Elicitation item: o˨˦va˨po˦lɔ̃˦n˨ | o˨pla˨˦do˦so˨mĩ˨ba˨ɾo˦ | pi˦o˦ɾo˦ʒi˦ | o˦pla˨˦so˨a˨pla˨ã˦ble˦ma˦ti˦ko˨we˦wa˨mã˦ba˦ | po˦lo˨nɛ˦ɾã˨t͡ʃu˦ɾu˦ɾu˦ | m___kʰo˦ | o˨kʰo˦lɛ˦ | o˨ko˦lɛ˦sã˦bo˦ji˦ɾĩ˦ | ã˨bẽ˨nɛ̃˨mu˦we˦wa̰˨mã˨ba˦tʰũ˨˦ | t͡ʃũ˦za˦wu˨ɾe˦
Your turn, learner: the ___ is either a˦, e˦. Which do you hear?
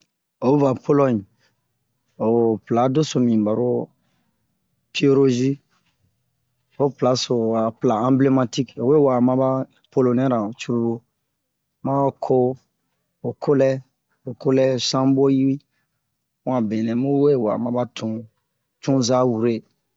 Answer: a˦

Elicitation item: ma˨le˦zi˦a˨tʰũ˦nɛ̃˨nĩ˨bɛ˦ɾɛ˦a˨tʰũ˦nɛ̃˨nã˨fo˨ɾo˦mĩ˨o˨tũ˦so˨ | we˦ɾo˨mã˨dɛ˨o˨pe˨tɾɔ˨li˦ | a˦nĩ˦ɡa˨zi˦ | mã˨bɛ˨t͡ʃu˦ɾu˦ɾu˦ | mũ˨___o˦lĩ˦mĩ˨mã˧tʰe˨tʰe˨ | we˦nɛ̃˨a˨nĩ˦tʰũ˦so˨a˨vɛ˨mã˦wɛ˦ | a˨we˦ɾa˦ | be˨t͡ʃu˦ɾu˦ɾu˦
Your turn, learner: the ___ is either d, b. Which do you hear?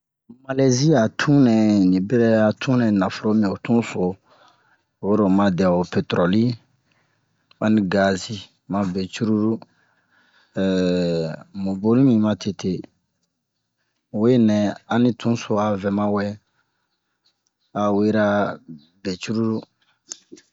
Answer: b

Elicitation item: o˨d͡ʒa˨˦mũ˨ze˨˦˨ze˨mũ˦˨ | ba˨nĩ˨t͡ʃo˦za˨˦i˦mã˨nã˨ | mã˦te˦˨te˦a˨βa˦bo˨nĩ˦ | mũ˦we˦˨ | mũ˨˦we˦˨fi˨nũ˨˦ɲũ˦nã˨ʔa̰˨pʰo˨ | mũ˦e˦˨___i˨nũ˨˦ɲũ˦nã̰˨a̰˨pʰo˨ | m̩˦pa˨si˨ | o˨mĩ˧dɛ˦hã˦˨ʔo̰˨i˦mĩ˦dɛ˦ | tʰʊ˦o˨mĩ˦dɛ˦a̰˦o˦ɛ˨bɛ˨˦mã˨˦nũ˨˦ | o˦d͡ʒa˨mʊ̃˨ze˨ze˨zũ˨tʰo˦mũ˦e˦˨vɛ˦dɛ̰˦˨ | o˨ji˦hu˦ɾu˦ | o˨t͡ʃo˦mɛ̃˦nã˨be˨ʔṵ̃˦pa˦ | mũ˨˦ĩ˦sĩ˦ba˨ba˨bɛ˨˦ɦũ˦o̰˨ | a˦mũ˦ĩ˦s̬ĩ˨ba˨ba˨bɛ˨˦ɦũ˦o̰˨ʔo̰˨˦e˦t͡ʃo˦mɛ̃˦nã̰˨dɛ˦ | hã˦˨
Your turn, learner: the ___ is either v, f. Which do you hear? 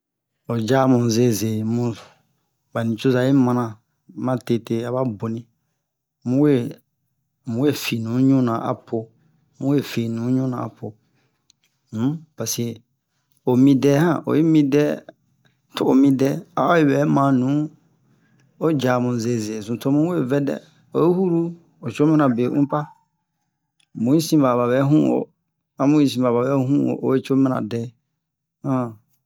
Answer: f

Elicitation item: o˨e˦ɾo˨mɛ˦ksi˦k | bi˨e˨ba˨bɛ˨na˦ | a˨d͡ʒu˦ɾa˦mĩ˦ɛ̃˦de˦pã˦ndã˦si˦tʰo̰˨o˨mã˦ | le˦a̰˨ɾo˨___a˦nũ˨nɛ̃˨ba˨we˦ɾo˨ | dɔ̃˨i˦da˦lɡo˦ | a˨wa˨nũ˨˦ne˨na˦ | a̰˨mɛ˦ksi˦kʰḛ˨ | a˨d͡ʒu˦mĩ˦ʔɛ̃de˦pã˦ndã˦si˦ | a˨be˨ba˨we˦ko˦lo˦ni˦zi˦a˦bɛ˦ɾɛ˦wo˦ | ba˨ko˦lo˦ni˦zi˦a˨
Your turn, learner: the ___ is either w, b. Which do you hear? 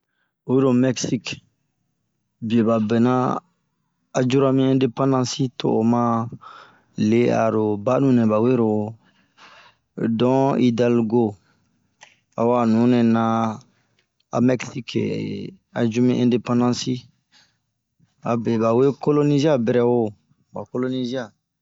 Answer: b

